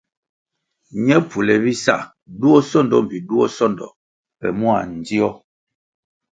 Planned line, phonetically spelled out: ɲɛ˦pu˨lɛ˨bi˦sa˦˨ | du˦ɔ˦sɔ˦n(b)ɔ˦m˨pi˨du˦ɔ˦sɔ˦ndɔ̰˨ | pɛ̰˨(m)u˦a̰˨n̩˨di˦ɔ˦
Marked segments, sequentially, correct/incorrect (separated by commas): incorrect, correct